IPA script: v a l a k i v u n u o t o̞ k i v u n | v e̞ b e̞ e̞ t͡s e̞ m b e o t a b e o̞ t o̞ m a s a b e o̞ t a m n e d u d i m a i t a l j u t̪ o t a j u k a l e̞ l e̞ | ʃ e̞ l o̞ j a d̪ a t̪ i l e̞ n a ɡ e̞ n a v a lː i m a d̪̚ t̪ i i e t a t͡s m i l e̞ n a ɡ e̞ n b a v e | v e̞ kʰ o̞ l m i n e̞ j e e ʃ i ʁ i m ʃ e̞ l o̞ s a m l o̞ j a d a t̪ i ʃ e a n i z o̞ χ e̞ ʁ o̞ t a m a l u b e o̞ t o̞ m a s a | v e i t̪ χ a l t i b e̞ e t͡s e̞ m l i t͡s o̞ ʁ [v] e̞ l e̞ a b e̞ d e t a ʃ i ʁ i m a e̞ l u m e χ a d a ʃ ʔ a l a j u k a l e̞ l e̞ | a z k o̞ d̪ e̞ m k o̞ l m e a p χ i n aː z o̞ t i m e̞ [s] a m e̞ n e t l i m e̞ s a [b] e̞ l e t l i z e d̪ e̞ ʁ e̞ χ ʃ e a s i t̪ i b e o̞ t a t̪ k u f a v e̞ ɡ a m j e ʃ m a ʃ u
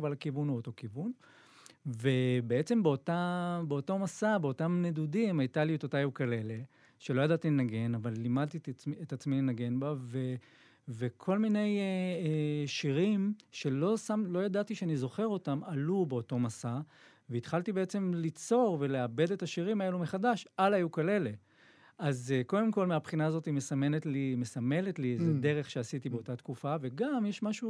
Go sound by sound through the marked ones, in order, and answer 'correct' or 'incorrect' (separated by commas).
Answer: correct, correct, incorrect